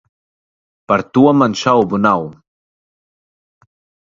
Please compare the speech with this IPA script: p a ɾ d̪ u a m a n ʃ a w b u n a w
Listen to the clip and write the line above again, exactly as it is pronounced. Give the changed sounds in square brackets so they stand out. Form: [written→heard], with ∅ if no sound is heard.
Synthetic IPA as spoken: p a ɾ [d̪→t̪] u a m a n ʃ a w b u n a w